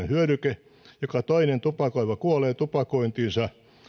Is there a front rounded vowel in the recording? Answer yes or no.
yes